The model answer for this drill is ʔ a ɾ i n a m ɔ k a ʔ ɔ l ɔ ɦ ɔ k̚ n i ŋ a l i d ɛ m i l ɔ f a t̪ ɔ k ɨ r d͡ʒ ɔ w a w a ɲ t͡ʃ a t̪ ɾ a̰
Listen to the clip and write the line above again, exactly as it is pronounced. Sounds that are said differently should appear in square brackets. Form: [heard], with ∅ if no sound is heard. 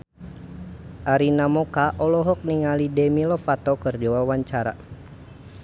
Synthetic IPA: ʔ a ɾ i n a m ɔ k a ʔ ɔ l ɔ ɦ ɔ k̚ n i ŋ a l i d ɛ m i l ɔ f a t̪ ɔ k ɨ r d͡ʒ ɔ w a w a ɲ t͡ʃ a [∅] ɾ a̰